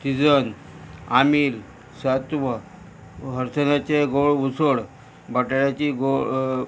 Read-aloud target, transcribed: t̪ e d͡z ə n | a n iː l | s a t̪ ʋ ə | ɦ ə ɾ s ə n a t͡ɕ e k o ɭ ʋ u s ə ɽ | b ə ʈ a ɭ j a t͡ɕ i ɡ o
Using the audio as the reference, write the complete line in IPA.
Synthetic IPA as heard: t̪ i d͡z ə n | a m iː l | s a t̪ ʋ ə | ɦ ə ɾ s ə n a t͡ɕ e ɡ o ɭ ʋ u s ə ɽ | b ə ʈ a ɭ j a t͡ɕ i ɡ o